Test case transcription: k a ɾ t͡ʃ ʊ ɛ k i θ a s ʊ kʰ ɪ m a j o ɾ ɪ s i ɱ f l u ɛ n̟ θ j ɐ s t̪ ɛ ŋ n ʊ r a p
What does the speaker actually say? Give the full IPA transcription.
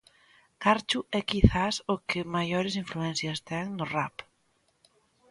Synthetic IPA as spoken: k a ɾ t͡ʃ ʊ ɛ k i θ a s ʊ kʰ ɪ m a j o ɾ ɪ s i ɱ f l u ɛ n̟ θ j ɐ s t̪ ɛ ŋ n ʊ r a p

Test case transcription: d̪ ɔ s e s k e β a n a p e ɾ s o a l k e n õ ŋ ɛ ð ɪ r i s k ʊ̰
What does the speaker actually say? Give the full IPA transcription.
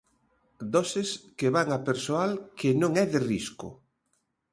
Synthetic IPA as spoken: d̪ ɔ s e s k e β a ŋ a p e ɾ s o a l k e n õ ŋ ɛ ð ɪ r i s k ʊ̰

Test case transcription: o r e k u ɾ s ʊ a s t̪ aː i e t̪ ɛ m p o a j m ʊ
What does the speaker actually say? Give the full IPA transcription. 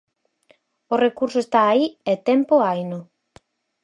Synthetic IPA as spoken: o r e k u ɾ s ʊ e s t̪ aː i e t̪ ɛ m p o a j n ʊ

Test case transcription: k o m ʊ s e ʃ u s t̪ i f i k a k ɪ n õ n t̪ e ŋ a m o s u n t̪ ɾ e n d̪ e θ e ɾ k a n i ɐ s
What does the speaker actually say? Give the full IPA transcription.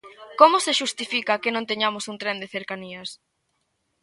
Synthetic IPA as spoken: k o m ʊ s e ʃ u s t̪ i f i k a k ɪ n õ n t̪ e ɲ a m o s u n t̪ ɾ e n d̪ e θ e ɾ k a n i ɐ s

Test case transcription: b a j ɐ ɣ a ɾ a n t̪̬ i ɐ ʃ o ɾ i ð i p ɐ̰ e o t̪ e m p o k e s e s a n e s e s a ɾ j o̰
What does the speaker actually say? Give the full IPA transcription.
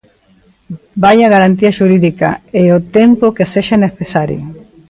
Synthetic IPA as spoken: b a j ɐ ɣ a ɾ a n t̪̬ i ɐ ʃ u ɾ i ð i k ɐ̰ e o t̪ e m p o k e s e ʃ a n e θ e s a ɾ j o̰

